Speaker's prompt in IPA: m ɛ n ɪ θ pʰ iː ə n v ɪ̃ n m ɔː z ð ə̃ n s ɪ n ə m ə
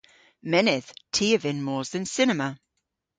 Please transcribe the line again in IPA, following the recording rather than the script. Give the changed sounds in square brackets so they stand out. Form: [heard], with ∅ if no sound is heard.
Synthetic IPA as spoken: m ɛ n ɪ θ [tʰ] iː ə [∅] v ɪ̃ n m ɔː z ð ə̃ n s ɪ n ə m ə